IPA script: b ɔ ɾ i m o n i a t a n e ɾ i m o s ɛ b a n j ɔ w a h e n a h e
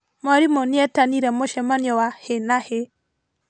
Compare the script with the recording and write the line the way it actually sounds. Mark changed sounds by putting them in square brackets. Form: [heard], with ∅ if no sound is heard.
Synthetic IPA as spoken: [m] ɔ ɾ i m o n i [ɛ] t a n [i] ɾ [ɛ] m o [ʃ] ɛ [m] a n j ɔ w a h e n a h e